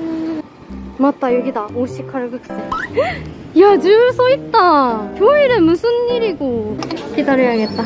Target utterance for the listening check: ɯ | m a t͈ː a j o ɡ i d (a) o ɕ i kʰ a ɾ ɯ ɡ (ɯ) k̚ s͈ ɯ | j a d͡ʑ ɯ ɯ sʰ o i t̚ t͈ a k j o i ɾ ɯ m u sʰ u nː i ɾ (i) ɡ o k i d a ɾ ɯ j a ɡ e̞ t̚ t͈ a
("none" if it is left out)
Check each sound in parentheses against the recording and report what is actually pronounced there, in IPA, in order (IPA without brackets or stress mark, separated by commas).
a, ɯ, i